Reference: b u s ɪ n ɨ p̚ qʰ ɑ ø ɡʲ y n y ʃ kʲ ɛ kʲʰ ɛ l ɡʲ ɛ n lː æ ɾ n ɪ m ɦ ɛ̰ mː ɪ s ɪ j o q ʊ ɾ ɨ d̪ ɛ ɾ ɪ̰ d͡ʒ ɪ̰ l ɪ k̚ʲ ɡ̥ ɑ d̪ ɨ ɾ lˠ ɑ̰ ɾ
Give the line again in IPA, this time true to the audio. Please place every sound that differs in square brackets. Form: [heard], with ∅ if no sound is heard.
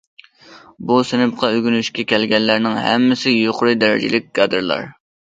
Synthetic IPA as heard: b u s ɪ n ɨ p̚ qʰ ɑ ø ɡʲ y n y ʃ kʲ ɛ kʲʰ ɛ l ɡʲ ɛ n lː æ ɾ n ɪ [ŋ] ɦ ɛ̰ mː ɪ s ɪ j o q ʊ ɾ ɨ d̪ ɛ ɾ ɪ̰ d͡ʒ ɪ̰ l ɪ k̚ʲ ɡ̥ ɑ d̪ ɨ ɾ lˠ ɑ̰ ɾ

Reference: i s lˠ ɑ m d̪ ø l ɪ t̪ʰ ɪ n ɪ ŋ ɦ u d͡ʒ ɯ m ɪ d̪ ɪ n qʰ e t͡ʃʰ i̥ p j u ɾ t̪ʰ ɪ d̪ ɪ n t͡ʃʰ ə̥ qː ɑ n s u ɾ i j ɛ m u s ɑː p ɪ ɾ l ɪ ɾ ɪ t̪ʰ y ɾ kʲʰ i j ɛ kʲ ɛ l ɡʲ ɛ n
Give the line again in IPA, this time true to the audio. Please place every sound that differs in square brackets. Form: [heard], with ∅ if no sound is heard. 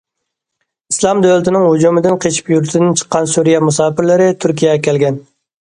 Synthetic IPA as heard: i s lˠ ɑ m d̪ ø l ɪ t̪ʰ ɪ n ɪ ŋ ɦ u d͡ʒ [u] m ɪ d̪ ɪ n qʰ e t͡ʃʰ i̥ p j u ɾ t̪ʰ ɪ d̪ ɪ n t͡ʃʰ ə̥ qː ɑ n s u ɾ i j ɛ m u s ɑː p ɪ ɾ l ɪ ɾ ɪ t̪ʰ y ɾ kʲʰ i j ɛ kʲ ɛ l ɡʲ ɛ n

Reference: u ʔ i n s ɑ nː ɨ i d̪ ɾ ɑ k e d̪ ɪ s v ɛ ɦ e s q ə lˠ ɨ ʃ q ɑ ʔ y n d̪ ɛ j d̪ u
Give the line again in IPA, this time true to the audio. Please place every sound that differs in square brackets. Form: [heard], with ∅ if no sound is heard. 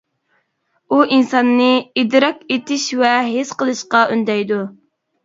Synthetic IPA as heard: u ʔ i n s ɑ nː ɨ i d̪ ɾ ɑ k e [t̪] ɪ [ʃ] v ɛ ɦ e s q ə lˠ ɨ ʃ q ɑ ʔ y n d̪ ɛ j d̪ u

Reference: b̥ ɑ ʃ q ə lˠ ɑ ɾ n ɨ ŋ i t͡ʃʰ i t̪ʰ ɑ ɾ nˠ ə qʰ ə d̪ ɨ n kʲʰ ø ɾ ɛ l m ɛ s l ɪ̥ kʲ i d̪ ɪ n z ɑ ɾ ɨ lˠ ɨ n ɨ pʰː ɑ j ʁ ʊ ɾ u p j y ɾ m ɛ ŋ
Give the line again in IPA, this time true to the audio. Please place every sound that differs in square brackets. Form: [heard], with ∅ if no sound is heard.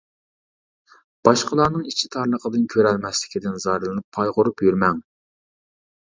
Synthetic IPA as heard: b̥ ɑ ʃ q ə lˠ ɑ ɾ n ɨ ŋ i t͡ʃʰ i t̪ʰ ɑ ɾ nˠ ə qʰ ə d̪ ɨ n kʲʰ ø ɾ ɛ l m ɛ s l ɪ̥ kʲ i d̪ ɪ n z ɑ ɾ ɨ lˠ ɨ n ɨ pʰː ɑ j ʁ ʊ ɾ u p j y ɾ m ɛ ŋ

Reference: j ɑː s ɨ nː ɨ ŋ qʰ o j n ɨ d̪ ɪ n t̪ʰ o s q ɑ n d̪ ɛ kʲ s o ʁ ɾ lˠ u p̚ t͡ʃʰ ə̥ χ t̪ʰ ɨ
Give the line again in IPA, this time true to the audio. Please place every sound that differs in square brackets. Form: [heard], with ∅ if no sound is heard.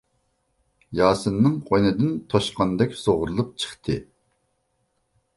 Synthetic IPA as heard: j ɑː s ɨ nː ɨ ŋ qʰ o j n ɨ d̪ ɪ n t̪ʰ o [ʃ] q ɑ n d̪ ɛ kʲ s o ʁ ɾ lˠ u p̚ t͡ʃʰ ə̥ χ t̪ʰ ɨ

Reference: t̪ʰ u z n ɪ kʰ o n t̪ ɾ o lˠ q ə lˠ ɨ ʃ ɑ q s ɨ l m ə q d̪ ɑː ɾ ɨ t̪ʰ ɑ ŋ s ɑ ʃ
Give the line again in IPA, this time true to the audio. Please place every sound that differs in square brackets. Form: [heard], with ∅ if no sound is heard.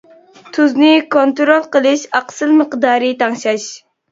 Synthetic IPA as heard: t̪ʰ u z n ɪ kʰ o n t̪ ɾ o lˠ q ə lˠ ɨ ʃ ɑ q s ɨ l m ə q d̪ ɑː ɾ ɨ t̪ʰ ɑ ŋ [ʃ] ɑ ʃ

